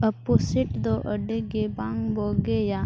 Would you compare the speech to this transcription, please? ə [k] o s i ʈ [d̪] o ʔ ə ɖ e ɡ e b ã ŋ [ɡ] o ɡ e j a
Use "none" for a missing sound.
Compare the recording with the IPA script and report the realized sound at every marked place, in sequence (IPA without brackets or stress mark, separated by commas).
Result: p, d̪, b